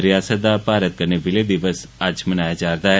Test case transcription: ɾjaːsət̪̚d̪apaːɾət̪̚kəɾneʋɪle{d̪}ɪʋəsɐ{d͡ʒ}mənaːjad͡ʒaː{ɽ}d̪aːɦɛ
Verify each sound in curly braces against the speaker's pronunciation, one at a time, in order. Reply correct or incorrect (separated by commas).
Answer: correct, correct, incorrect